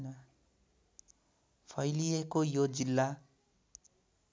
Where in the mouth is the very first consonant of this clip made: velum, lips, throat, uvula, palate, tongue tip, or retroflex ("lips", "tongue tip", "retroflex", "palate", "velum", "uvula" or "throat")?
tongue tip